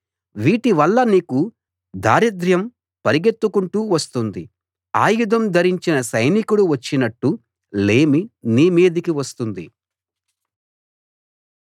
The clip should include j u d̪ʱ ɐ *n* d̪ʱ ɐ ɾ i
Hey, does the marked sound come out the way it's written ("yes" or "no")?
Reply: no